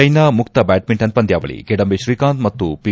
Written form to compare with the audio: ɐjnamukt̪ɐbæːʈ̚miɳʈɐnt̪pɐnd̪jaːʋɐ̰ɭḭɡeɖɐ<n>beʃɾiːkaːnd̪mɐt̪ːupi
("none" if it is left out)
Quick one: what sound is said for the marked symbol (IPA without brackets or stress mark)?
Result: m